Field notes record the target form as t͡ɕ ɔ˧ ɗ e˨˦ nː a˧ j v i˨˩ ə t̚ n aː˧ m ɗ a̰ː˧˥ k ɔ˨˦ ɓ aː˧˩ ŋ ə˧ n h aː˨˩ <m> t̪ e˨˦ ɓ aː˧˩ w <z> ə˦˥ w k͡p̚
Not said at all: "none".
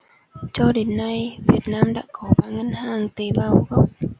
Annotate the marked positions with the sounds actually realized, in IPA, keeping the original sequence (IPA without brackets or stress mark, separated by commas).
ŋ, ɣ